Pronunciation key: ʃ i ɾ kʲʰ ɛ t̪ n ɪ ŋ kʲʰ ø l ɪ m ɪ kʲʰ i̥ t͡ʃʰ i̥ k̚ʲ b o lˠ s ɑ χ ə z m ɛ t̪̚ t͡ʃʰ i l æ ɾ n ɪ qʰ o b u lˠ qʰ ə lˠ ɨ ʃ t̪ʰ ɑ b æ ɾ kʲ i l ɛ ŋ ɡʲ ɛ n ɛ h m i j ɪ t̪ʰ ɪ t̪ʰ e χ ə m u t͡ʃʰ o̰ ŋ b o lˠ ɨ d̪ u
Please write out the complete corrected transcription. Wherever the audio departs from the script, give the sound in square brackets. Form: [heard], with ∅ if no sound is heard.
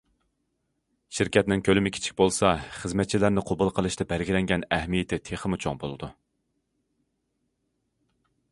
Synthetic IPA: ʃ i ɾ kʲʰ ɛ t̪ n ɪ ŋ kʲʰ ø l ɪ m ɪ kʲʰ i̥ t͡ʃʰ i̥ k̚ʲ b o lˠ s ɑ χ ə z m ɛ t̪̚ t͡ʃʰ i l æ ɾ n ɪ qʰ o b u lˠ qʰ ə lˠ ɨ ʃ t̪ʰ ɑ b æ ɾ [ɡʲ] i l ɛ ŋ ɡʲ ɛ n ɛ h m i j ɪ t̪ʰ ɪ t̪ʰ e χ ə m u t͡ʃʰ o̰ ŋ b o lˠ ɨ d̪ u